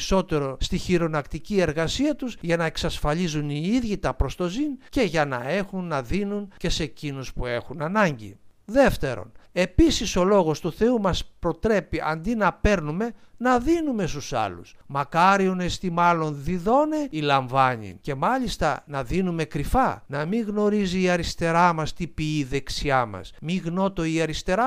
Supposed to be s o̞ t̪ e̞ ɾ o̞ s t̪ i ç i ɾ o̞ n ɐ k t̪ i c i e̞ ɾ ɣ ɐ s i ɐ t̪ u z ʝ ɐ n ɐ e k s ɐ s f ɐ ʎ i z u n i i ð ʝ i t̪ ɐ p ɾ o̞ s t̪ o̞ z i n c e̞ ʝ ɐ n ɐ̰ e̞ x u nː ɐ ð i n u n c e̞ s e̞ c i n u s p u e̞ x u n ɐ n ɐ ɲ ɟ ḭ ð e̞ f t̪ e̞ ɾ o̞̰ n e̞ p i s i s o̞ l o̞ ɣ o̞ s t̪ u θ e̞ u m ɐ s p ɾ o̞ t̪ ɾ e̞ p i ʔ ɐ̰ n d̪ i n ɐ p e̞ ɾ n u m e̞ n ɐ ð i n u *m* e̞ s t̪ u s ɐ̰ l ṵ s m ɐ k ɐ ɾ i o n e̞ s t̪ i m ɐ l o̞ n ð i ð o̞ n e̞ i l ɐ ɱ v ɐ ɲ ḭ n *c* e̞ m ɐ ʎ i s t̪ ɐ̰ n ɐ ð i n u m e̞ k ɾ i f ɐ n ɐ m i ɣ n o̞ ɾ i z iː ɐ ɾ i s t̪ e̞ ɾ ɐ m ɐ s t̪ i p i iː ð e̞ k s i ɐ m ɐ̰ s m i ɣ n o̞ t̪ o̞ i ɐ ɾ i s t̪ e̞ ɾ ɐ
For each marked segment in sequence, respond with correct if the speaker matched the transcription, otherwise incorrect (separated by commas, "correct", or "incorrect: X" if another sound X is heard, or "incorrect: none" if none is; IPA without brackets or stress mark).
correct, correct